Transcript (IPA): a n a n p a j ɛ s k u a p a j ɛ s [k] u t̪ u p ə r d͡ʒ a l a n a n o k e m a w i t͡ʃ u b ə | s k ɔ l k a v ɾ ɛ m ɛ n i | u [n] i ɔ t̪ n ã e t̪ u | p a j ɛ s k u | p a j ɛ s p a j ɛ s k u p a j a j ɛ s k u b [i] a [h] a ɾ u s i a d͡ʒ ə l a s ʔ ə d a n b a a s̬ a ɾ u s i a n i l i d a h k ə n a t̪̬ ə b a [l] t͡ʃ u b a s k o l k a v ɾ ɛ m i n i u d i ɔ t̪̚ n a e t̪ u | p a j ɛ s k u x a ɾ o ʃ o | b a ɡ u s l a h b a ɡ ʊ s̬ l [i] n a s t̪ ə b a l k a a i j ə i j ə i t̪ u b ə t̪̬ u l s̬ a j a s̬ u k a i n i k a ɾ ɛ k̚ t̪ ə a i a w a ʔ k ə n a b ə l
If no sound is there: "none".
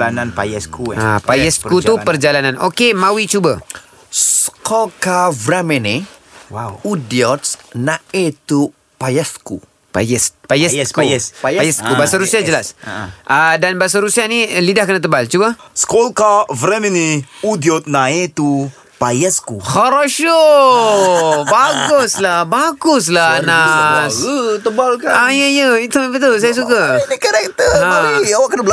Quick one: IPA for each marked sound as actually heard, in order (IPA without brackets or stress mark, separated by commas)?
k, d, a, s, l, a